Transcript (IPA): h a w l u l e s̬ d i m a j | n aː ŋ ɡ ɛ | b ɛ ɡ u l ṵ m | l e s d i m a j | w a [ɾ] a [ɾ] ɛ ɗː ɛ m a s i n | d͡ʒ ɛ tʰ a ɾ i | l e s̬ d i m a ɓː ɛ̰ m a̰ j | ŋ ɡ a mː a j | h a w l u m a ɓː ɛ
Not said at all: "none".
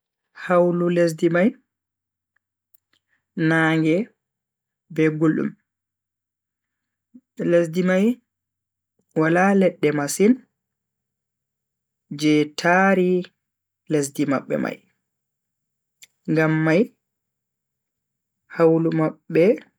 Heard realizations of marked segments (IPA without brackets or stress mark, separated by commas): l, l